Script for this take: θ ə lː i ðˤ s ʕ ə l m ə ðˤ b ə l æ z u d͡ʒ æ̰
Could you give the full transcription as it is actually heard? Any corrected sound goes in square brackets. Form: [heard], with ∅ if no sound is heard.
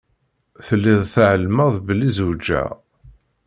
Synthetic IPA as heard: θ ə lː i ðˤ [θ] ʕ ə l m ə ðˤ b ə l [i] z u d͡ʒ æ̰